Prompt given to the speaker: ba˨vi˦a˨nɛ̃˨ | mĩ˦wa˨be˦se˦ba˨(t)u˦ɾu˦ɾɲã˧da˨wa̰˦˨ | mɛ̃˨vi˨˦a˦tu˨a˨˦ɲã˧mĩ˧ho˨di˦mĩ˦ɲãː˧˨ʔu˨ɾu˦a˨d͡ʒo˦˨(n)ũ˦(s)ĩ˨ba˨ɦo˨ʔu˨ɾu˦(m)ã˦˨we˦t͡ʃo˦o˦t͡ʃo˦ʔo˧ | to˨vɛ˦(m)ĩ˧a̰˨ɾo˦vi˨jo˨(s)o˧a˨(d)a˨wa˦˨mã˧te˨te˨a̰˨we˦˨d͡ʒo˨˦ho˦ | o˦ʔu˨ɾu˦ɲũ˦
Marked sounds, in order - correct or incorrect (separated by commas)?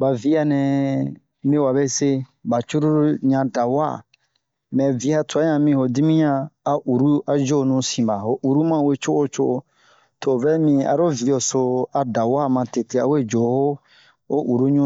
incorrect, correct, correct, correct, correct, correct, correct